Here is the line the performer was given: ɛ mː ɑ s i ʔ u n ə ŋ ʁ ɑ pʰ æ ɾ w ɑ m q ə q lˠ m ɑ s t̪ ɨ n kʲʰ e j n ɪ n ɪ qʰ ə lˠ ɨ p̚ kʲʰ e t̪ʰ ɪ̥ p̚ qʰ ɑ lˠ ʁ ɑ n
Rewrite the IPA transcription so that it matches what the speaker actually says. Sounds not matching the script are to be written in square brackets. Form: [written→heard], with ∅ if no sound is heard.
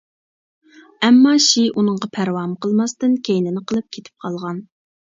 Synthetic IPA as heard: ɛ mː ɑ [s→ʃ] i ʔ u n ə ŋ ʁ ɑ pʰ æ ɾ w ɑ m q ə [q→∅] lˠ m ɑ s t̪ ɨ n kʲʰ e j n ɪ n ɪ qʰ ə lˠ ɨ p̚ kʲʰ e t̪ʰ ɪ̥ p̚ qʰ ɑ lˠ ʁ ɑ n